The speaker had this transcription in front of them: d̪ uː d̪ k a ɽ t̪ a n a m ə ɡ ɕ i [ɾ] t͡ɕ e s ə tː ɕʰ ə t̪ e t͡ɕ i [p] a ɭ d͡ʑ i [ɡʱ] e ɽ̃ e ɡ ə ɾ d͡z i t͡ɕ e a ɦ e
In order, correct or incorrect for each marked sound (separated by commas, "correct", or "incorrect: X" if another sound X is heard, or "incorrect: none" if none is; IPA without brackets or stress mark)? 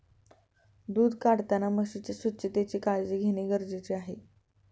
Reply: incorrect: none, incorrect: k, correct